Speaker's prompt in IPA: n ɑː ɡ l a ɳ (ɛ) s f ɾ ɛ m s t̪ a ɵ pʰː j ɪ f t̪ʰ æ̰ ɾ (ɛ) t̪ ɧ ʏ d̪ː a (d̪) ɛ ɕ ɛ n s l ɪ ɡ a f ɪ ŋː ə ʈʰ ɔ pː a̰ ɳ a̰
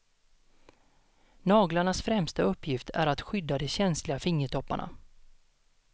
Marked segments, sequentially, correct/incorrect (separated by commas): incorrect, incorrect, correct